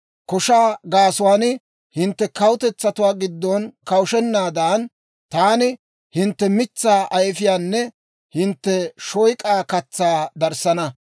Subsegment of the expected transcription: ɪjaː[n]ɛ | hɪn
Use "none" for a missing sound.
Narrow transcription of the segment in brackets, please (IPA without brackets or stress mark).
nː